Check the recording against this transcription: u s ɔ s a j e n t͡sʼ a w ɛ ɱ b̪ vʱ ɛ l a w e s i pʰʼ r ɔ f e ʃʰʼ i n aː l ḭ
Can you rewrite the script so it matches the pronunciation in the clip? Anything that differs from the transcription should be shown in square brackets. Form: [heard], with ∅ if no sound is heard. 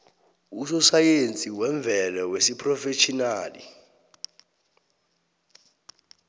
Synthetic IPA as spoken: u s ɔ s a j e n t͡sʼ [i] w ɛ ɱ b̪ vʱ ɛ l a w e s i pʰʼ r ɔ f e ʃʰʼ i n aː l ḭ